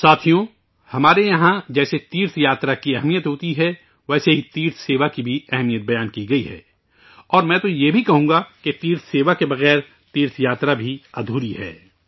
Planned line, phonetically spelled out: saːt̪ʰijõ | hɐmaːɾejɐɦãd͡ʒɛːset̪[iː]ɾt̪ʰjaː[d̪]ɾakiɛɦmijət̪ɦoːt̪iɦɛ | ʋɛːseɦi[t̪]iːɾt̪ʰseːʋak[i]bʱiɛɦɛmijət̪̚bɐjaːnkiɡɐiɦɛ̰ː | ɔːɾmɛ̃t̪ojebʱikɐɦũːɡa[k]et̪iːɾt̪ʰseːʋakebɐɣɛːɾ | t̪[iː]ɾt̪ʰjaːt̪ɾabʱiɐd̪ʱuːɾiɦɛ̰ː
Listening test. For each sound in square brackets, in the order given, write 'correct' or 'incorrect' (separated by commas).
correct, incorrect, correct, correct, correct, correct